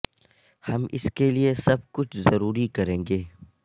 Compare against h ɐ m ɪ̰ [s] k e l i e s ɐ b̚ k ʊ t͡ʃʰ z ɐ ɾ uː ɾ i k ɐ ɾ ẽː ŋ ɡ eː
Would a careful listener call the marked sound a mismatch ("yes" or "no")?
no